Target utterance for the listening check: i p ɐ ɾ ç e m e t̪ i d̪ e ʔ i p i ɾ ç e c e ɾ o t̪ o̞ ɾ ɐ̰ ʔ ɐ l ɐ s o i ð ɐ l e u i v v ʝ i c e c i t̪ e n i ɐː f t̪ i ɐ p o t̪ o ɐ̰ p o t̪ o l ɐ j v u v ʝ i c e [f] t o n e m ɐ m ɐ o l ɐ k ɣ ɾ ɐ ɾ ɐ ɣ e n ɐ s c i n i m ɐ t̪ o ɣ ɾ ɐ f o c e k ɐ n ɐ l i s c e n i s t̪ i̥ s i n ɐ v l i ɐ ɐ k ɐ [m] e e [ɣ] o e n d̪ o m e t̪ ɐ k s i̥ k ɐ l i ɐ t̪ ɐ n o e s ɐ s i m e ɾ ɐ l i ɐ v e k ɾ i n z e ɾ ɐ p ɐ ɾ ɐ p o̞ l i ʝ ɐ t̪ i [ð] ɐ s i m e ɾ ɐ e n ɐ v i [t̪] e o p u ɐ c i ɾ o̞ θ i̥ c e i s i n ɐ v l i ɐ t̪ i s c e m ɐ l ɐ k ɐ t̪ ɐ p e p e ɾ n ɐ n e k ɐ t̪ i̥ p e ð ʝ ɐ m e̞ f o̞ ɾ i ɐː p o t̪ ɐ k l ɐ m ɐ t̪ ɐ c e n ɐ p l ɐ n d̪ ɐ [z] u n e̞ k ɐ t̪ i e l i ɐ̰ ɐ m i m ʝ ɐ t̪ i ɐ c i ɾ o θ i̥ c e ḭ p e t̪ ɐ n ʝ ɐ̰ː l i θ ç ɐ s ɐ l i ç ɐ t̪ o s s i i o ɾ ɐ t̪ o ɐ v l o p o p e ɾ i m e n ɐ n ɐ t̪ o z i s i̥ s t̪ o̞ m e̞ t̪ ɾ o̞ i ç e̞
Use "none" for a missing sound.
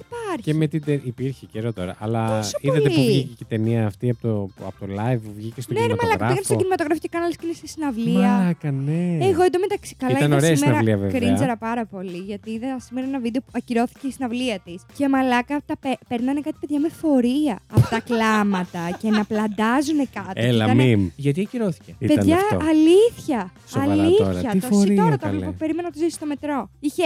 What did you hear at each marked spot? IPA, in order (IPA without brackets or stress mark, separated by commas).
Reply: s, n, ɣ, ð, d̪, z